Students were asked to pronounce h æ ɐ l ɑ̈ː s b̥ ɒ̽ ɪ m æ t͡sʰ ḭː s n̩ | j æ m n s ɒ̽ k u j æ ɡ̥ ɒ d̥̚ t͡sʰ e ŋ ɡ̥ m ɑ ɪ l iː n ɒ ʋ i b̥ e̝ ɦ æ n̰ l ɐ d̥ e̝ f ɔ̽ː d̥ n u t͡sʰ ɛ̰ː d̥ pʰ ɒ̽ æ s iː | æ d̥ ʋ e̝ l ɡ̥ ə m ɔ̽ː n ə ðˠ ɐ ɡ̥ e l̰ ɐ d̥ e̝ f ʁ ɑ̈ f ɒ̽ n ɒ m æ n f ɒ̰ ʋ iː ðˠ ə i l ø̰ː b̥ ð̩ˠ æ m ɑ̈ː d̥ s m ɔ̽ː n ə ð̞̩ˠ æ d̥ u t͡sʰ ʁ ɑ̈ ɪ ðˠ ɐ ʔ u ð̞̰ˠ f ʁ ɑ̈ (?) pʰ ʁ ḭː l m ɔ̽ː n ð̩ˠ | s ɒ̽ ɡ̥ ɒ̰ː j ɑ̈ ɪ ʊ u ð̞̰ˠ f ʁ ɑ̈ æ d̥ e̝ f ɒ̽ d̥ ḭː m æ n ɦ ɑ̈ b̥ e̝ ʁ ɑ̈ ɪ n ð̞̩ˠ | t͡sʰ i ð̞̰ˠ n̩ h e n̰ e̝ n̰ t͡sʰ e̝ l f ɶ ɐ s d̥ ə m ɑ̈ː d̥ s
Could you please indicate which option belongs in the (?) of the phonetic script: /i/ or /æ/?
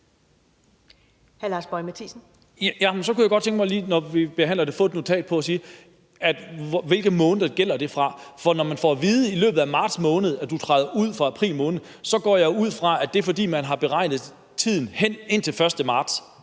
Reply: æ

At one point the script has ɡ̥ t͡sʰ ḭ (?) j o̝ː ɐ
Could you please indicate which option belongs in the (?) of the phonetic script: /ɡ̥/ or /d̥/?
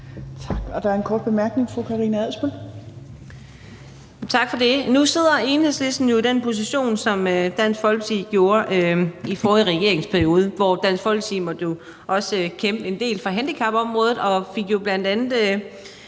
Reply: ɡ̥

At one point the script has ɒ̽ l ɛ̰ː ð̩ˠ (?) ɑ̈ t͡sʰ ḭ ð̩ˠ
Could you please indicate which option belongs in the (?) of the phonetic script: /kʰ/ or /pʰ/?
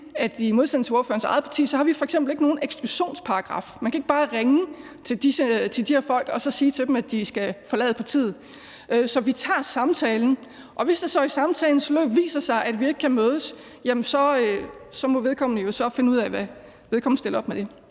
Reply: pʰ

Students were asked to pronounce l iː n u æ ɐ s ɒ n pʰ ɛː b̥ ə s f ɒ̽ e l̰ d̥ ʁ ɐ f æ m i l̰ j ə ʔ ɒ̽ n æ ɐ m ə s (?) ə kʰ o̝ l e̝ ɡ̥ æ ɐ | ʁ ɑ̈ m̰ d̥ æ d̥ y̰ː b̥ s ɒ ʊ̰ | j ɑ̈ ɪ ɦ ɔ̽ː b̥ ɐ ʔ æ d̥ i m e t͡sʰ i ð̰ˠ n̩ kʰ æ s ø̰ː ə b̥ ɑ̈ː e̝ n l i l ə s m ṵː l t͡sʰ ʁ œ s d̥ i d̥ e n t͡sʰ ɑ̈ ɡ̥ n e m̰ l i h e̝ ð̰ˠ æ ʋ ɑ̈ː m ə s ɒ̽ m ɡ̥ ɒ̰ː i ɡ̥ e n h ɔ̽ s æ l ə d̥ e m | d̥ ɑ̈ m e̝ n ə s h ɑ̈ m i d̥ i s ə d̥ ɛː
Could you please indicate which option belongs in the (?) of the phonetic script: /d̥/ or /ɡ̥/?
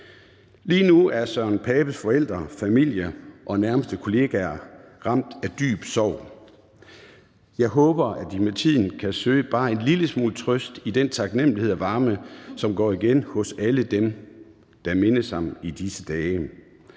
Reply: d̥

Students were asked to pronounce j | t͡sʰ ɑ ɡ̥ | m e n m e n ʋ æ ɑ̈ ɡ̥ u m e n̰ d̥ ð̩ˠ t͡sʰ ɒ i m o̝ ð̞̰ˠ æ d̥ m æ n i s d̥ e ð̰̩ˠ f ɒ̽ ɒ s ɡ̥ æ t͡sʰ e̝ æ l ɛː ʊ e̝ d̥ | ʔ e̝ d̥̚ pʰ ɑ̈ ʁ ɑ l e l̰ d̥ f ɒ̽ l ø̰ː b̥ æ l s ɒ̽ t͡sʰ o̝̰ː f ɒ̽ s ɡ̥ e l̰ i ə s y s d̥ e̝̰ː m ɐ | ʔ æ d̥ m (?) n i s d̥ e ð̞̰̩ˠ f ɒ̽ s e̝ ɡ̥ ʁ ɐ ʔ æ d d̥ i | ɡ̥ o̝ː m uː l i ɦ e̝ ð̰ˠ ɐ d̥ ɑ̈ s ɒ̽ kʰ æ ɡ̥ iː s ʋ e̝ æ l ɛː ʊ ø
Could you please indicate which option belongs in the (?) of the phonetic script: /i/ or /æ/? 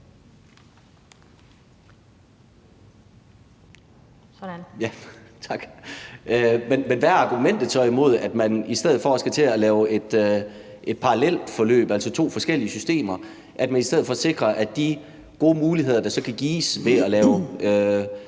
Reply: æ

